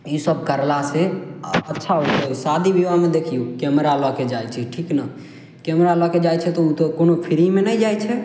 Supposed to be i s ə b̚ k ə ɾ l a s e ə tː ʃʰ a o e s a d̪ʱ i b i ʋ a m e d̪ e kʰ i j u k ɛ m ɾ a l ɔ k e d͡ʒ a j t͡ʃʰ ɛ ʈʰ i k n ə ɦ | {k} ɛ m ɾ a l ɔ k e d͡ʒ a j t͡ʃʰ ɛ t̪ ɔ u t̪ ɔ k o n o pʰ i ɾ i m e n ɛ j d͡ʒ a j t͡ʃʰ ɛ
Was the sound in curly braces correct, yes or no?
yes